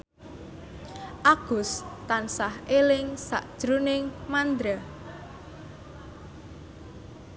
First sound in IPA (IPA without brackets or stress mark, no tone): ʔ